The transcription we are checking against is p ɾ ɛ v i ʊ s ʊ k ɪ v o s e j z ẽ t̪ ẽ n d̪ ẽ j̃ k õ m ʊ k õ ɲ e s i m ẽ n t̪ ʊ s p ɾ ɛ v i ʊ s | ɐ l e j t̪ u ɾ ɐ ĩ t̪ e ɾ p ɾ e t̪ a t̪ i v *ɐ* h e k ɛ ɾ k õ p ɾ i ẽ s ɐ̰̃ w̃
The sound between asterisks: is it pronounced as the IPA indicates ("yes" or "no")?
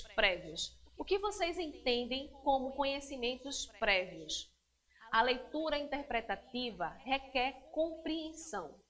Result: yes